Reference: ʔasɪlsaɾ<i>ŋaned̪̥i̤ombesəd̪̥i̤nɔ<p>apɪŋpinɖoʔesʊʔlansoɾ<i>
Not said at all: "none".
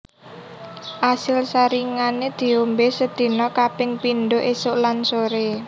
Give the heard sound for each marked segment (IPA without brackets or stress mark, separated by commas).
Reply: i, k, e